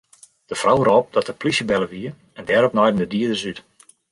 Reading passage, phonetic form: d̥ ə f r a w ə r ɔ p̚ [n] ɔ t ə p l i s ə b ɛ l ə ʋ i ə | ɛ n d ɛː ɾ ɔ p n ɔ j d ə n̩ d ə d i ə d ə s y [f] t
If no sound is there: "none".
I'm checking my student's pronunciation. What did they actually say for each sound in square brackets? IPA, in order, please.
d, none

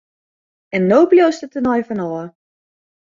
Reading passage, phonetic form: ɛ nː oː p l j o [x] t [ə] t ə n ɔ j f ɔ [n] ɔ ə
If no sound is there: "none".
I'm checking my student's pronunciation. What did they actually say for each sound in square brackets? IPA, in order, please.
s, ə, n

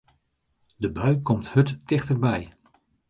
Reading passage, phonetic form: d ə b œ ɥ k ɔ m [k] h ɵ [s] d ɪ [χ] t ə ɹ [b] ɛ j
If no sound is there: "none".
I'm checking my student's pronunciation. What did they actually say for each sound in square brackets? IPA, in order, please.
t, t, χ, b

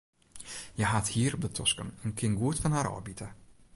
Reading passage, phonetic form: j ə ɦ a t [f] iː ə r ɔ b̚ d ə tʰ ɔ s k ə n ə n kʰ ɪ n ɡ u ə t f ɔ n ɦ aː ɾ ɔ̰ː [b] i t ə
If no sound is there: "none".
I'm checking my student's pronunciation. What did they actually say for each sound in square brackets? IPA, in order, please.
h, b

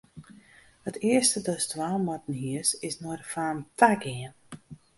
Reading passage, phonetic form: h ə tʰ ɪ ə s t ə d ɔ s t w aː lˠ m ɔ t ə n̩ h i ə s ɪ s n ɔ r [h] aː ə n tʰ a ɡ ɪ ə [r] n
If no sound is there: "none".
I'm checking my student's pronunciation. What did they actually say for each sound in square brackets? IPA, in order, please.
f, none

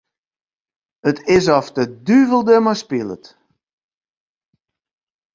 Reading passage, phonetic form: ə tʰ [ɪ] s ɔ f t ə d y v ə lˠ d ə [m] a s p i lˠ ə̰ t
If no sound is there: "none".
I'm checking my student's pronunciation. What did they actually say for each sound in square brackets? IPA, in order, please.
ɪ, m

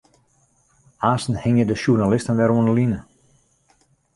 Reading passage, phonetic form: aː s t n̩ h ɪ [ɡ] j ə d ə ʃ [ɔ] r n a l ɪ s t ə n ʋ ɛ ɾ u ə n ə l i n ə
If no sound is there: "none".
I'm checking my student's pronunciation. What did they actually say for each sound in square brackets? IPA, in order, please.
ŋ, u

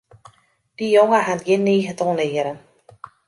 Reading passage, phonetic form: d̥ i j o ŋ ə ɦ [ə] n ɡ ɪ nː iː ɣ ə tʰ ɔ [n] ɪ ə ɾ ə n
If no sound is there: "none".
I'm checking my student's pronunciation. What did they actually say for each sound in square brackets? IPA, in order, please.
a, n

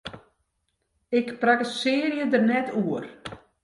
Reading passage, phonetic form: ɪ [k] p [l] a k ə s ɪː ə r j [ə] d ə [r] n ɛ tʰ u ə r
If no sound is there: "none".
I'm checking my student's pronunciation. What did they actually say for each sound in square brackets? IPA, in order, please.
k, r, ə, r

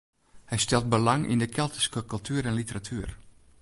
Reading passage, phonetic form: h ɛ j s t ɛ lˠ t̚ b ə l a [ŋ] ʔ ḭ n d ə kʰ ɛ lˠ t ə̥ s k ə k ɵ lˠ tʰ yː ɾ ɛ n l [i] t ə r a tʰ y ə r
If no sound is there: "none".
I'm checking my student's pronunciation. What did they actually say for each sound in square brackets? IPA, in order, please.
ŋ, i

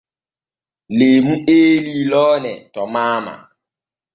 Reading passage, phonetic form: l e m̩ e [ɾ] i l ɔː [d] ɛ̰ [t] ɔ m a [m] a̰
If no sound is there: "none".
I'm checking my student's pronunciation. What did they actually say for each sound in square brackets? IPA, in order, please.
l, n, t, m

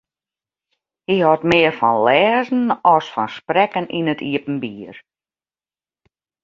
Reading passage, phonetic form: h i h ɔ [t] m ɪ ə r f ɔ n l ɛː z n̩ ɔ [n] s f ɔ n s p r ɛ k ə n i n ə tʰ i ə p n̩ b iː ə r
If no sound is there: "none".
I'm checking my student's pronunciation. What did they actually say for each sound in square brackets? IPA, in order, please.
t, none

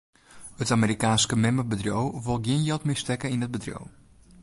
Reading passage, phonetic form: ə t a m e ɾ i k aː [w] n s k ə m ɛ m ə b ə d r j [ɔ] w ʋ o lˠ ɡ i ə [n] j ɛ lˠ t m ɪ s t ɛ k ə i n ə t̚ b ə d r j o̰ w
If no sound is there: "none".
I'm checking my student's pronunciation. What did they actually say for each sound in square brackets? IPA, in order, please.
none, o, n

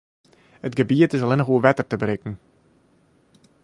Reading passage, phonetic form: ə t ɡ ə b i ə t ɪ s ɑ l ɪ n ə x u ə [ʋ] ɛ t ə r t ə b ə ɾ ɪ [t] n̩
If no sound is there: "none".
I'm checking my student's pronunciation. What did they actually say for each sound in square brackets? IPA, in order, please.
ʋ, k

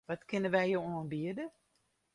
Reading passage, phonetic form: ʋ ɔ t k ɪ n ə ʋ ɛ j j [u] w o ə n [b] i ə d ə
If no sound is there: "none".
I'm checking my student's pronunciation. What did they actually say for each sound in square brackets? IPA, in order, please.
o, b

